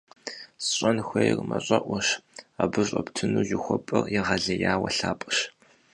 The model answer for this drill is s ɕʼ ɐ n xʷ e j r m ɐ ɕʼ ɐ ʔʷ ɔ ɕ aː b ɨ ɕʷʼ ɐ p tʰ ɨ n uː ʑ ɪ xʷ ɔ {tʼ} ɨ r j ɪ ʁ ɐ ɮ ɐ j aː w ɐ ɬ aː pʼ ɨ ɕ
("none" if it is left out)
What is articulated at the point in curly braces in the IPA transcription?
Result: pʼ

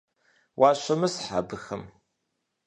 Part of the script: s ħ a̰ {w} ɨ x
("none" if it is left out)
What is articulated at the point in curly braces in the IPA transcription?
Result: b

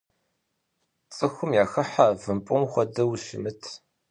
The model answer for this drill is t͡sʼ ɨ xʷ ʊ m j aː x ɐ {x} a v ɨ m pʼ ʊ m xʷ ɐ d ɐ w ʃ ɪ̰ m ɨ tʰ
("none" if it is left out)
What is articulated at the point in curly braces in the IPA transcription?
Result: ħ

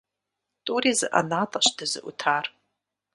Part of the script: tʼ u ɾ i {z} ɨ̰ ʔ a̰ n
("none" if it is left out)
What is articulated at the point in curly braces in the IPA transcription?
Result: z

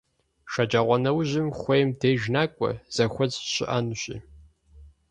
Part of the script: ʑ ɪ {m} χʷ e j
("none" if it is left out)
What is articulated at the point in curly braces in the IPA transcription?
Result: m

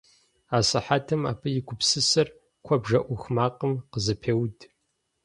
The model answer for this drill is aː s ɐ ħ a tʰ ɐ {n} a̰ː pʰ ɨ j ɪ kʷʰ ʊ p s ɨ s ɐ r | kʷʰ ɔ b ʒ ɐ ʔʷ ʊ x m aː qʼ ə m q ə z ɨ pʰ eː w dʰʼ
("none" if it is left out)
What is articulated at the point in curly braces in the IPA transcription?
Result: m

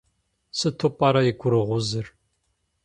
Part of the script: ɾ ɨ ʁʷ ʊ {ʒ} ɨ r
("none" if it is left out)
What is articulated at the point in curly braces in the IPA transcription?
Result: z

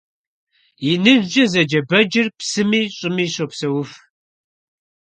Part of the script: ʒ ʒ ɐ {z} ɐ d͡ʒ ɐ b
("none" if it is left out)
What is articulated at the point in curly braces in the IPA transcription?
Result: z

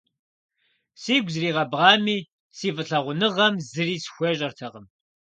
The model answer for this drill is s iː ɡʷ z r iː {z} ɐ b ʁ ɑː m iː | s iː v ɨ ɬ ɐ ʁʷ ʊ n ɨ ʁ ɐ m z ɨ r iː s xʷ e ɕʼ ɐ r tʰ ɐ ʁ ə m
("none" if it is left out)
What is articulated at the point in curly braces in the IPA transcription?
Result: ʁ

